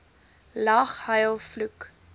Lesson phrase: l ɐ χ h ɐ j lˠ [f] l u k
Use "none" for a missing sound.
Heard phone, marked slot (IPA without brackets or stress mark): f